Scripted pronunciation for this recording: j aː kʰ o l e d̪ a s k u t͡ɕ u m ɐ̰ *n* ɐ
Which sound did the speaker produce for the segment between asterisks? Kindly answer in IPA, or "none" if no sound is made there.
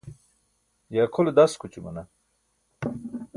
n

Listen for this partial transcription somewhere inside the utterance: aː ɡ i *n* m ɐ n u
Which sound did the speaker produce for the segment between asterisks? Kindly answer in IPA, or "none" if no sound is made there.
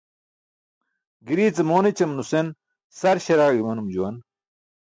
none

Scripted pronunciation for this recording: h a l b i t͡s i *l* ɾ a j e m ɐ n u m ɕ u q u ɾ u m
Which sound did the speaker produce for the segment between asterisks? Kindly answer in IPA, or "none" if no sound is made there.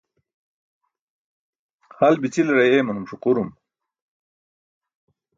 l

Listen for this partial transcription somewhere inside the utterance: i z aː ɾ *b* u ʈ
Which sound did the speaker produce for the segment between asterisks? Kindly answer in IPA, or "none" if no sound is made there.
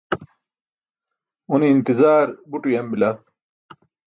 b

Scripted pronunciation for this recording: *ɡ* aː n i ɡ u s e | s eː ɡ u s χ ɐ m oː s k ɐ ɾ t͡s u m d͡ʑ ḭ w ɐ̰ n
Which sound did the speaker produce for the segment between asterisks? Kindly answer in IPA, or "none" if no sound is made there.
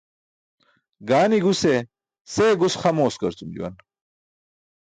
ɡ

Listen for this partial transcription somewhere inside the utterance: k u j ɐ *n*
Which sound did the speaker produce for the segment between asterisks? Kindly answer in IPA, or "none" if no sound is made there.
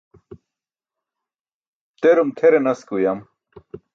m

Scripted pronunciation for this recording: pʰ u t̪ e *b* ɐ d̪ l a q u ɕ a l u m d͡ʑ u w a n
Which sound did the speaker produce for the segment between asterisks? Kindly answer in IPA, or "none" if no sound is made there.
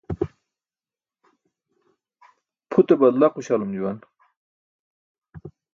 b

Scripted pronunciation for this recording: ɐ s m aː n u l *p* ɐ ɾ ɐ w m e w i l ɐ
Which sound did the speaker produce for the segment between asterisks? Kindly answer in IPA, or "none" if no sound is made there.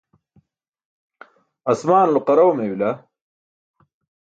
q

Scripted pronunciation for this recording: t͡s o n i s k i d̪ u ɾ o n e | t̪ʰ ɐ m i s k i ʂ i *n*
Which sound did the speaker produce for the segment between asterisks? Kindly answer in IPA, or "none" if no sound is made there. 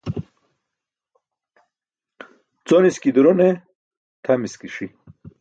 none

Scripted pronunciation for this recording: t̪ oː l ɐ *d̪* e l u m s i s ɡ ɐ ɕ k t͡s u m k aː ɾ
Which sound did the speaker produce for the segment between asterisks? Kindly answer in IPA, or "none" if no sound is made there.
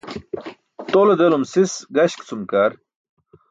d̪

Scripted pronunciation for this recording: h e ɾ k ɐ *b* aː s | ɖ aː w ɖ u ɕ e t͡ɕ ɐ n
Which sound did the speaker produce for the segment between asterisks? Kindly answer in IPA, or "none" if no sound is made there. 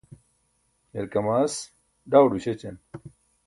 m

